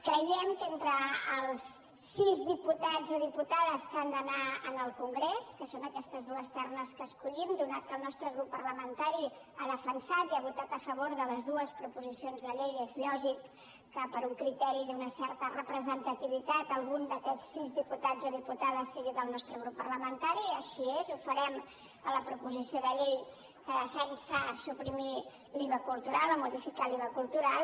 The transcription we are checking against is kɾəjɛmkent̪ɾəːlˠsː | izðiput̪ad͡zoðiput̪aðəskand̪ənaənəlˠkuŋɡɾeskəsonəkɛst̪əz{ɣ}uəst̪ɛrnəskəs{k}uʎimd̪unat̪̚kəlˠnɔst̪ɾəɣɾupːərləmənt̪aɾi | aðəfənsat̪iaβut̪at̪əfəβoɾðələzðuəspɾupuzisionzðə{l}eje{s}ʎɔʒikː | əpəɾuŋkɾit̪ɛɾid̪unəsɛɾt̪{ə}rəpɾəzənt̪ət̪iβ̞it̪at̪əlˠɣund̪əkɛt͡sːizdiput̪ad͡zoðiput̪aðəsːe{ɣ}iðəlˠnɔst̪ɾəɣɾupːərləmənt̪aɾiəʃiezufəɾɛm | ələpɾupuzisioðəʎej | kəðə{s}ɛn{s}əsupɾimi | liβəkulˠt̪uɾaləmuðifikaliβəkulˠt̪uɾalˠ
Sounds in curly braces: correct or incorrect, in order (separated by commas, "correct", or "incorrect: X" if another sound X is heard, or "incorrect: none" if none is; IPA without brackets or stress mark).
incorrect: ð, correct, incorrect: ʎ, incorrect: z, correct, correct, incorrect: f, correct